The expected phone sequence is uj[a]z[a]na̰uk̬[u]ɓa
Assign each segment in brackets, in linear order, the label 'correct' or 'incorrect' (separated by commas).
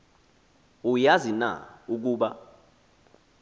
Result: correct, incorrect, incorrect